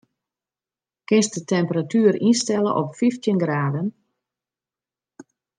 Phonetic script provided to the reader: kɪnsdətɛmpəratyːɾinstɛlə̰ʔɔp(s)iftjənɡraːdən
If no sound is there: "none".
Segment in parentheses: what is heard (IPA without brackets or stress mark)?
f